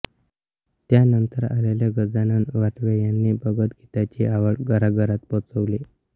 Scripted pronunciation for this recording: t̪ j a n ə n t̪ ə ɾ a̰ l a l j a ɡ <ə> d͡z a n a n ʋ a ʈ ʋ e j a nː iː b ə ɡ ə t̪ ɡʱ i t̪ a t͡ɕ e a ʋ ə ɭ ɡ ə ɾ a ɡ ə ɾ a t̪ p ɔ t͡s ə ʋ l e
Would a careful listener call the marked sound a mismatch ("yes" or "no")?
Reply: no